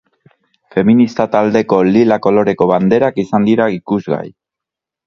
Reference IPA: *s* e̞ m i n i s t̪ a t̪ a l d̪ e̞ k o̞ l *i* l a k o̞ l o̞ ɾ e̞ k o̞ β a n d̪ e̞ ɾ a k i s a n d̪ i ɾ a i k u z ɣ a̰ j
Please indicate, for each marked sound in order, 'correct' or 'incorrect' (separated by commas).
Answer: incorrect, correct